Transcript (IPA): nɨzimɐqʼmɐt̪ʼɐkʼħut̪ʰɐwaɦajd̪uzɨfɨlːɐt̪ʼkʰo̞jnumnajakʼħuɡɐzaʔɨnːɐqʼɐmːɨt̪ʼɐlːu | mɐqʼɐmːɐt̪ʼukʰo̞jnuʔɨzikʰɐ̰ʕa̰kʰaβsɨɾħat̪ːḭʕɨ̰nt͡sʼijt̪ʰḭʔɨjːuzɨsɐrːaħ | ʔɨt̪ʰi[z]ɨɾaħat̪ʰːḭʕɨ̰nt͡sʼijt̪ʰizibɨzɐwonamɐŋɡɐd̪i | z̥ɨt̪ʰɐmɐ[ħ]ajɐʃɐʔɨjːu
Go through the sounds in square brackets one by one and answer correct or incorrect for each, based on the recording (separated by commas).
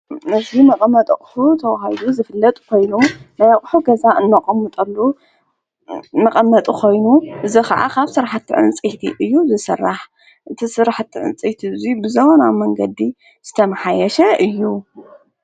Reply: incorrect, correct